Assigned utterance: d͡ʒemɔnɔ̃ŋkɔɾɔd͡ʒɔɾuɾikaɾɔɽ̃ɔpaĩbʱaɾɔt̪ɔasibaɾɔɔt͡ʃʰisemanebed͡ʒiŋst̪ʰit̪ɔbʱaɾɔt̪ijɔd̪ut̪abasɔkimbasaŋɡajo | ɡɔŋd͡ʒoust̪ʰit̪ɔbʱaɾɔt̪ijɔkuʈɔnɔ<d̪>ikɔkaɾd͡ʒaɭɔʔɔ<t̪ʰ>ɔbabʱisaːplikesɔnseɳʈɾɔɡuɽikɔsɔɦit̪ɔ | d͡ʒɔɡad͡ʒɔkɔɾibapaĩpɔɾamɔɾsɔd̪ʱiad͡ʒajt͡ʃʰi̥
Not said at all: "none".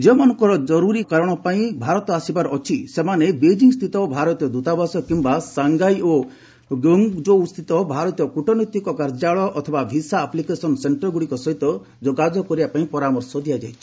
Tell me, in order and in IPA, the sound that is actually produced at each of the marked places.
t̪, t̪ʰ

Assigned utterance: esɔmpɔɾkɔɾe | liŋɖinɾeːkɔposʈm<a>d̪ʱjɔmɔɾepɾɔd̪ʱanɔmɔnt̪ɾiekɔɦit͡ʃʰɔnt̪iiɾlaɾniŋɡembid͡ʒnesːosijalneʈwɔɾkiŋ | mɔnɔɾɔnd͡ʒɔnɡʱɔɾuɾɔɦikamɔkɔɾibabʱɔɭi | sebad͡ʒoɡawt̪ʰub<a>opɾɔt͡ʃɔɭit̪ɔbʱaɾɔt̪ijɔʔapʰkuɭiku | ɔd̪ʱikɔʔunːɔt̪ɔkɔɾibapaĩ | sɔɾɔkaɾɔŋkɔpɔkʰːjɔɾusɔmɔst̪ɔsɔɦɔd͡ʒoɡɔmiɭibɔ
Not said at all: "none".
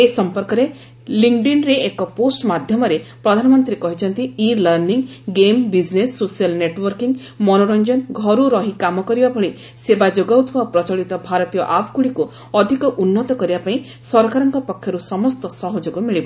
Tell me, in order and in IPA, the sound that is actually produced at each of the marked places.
a, a

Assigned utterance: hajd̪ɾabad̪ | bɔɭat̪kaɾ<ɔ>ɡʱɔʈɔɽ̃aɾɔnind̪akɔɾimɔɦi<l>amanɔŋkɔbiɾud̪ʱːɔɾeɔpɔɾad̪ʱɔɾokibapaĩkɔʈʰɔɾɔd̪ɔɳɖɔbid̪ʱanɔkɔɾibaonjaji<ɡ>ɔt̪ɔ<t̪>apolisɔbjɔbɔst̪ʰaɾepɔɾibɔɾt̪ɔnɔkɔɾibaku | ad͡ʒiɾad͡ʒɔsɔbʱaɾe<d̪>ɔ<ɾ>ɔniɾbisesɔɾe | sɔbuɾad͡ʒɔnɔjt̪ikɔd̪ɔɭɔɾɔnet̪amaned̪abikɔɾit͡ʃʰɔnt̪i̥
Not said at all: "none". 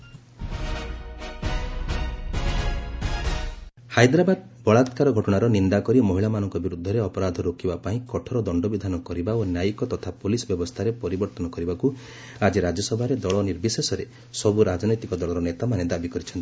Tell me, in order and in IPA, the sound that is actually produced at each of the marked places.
ɔ, ɭ, k, t̪ʰ, d̪, ɭ

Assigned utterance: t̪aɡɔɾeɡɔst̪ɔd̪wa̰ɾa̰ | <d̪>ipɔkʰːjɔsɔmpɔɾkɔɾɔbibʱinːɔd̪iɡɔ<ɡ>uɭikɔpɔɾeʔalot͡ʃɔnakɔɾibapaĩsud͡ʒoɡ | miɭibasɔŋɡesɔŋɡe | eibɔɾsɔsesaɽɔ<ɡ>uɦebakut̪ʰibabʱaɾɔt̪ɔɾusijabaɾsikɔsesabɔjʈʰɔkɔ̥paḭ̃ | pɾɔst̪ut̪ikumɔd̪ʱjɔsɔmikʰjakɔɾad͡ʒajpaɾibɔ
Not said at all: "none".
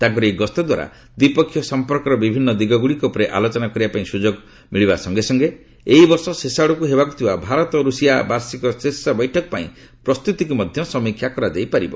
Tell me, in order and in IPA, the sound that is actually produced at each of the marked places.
d̪, ɡ, k

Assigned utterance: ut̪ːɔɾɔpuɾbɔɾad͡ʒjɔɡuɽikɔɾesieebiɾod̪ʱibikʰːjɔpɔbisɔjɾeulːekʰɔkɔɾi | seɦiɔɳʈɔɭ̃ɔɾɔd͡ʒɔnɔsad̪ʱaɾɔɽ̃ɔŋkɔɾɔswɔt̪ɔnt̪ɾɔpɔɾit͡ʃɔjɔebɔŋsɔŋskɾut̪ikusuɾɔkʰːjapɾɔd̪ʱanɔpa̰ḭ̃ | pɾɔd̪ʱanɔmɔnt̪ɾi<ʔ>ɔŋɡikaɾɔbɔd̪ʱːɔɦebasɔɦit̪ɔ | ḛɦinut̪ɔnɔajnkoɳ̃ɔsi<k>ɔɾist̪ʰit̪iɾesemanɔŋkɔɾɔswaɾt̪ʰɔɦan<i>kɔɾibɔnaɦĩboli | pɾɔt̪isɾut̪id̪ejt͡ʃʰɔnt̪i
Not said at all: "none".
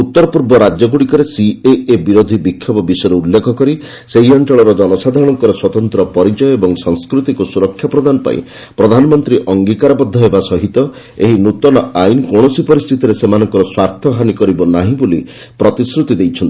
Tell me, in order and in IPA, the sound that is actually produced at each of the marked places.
ʔ, p, i

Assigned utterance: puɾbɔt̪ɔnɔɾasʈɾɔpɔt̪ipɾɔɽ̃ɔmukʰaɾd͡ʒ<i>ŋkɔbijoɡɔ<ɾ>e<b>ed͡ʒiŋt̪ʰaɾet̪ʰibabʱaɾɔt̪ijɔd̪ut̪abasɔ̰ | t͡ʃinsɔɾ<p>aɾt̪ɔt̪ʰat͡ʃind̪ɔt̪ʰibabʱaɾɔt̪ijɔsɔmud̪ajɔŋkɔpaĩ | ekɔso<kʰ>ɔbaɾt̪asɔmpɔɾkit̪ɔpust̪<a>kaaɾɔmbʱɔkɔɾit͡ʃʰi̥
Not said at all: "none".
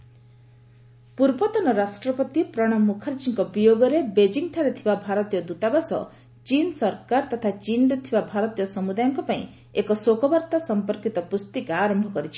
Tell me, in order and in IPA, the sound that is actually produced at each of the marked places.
i, ɾ, b, k, k, i

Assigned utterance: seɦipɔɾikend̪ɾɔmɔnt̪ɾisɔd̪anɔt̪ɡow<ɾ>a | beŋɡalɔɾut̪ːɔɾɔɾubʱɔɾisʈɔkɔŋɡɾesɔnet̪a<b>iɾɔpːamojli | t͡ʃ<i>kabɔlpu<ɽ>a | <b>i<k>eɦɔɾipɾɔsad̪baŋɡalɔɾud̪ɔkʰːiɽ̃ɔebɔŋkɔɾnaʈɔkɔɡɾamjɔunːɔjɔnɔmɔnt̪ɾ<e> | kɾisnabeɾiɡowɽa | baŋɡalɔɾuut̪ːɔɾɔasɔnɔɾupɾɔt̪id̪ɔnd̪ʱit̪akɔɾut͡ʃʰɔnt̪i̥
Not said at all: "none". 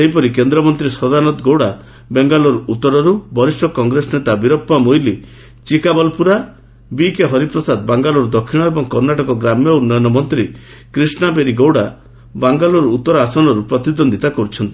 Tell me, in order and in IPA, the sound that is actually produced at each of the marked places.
ɽ, b, i, ɾ, b, k, i

